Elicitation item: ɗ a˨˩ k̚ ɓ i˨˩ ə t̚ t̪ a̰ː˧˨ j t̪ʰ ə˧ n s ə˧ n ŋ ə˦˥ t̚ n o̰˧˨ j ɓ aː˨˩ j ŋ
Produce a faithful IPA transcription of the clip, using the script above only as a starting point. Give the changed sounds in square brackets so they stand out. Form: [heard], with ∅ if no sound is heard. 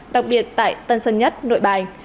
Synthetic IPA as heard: ɗ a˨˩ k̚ ɓ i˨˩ ə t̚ t̪ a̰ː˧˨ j [t̪] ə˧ n s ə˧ n [ɲ] ə˦˥ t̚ n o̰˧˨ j ɓ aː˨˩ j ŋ